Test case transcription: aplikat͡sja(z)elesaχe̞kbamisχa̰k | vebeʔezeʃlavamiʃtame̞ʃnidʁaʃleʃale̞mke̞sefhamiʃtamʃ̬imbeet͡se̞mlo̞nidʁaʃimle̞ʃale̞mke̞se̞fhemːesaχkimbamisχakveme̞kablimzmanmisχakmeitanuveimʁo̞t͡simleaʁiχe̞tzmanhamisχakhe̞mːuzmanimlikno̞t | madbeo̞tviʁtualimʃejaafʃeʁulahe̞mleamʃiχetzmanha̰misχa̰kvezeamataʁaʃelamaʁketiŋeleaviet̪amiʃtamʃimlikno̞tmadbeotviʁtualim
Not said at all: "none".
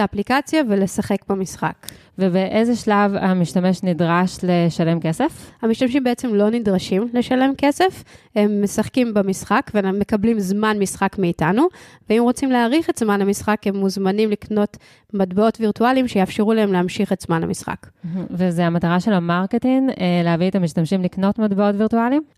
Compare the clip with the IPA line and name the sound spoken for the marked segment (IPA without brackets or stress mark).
v